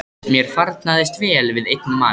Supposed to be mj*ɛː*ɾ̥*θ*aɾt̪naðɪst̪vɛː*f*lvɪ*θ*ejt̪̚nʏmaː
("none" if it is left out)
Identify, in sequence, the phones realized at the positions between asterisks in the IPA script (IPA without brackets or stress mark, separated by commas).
ɛ, f, none, ð